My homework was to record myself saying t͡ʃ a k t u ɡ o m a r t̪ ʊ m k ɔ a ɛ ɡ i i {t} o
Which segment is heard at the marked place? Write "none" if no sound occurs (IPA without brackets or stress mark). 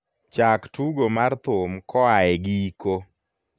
k